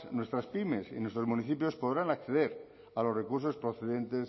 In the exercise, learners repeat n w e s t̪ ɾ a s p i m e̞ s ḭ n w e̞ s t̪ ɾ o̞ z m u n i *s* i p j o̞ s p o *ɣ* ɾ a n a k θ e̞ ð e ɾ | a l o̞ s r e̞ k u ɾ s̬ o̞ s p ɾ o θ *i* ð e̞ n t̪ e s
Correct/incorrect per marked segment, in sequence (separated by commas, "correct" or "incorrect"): incorrect, incorrect, incorrect